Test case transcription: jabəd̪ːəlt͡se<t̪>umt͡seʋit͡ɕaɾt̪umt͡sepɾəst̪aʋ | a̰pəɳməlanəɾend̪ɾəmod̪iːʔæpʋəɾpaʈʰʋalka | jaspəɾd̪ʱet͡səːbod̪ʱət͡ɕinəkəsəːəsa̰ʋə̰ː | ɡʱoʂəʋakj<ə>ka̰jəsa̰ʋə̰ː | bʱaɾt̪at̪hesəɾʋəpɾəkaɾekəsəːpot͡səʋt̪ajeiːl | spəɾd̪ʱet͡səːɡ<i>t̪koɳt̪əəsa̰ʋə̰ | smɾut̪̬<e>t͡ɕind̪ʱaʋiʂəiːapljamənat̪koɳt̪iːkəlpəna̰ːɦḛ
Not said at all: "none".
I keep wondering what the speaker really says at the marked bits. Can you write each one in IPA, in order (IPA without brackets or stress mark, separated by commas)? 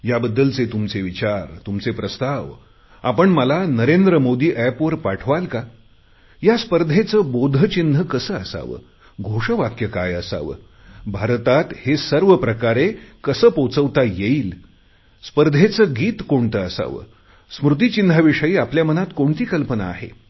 t̪, ə, iː, i